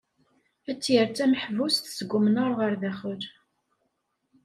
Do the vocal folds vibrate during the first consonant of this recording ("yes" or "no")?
no